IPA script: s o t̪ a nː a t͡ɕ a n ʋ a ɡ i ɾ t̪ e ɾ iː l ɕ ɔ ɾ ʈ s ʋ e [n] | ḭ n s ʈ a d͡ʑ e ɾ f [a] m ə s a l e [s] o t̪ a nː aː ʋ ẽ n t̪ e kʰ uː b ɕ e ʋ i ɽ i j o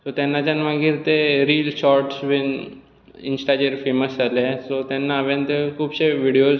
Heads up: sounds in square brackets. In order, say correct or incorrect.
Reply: correct, incorrect, correct

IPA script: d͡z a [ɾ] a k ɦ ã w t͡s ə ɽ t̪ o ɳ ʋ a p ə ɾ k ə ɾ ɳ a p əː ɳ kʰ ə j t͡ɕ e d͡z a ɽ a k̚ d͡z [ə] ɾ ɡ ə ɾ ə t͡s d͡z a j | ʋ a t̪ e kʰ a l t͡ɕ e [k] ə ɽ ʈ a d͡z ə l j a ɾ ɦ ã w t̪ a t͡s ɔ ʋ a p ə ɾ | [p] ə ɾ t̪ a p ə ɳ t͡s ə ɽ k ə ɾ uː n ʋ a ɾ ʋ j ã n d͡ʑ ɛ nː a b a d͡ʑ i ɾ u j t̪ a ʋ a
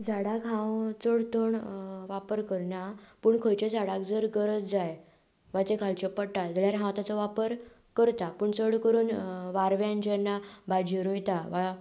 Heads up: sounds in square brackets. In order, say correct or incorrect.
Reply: incorrect, correct, incorrect, incorrect

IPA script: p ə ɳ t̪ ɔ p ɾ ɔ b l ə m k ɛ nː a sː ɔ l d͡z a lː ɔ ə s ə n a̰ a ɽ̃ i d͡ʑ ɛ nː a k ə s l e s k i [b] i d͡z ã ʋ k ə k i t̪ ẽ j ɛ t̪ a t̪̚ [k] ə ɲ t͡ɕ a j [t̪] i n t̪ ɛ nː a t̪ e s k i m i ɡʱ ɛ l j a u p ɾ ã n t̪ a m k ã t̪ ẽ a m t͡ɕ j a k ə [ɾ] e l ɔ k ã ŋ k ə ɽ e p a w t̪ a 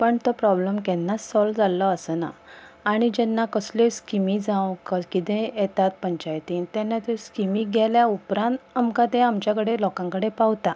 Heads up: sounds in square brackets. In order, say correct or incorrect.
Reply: incorrect, incorrect, correct, incorrect

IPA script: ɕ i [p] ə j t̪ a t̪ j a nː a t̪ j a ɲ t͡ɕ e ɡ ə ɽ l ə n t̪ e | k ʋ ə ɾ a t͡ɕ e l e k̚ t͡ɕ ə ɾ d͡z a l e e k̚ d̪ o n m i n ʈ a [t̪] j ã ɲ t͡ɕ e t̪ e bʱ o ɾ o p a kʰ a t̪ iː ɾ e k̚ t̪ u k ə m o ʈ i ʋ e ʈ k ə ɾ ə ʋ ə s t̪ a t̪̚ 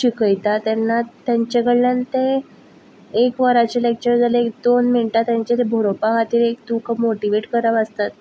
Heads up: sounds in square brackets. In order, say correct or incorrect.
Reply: incorrect, correct

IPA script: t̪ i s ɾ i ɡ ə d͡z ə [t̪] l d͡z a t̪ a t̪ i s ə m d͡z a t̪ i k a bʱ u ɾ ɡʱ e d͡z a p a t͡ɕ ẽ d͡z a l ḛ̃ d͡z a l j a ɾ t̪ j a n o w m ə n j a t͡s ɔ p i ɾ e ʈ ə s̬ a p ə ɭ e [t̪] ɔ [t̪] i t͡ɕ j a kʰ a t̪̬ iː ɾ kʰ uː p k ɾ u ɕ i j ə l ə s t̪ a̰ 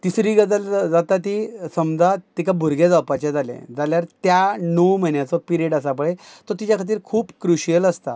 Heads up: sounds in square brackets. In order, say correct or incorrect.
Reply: incorrect, correct, correct

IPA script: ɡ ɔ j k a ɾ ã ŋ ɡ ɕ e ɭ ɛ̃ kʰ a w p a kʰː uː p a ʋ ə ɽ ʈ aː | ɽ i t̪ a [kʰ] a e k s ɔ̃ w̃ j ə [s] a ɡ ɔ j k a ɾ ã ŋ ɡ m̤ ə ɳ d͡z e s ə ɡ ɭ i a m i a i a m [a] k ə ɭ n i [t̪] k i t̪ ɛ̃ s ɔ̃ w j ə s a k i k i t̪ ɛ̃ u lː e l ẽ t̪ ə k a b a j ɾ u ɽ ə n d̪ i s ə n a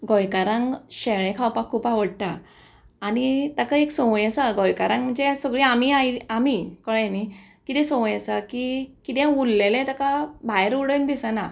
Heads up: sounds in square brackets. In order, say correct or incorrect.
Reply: incorrect, correct, incorrect, incorrect

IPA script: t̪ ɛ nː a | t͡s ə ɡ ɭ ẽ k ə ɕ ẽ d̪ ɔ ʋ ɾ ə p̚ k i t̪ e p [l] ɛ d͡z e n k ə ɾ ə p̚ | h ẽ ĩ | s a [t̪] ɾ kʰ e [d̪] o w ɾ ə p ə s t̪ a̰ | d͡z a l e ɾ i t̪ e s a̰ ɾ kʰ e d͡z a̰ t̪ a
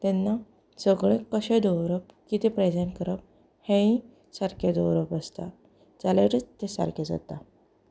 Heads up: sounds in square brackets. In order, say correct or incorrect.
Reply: incorrect, incorrect, correct

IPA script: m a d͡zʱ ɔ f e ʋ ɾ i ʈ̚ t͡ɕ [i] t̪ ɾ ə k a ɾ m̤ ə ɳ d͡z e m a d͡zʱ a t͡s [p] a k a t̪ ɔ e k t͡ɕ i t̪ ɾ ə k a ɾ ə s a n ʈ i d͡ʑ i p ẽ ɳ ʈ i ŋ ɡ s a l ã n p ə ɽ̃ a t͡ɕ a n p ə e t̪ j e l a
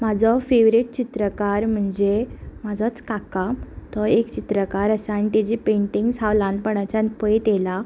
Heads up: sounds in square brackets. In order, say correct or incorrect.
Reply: correct, incorrect

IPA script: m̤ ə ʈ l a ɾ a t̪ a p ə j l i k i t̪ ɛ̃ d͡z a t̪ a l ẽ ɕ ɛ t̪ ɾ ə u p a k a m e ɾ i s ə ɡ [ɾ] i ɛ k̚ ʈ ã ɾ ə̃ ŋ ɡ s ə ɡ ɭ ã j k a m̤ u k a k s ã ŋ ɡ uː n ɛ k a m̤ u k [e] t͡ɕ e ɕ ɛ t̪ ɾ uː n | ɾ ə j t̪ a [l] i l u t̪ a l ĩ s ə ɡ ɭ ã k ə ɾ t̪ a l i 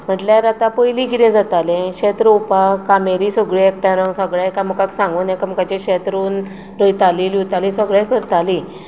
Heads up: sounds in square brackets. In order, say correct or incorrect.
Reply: incorrect, incorrect, correct

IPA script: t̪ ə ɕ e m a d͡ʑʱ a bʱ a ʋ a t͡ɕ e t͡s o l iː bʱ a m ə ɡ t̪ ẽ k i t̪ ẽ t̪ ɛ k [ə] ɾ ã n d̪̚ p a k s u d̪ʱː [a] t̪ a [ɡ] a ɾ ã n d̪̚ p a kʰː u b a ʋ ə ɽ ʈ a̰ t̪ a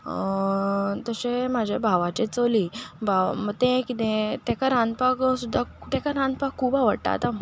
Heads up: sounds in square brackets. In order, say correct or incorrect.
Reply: incorrect, correct, incorrect

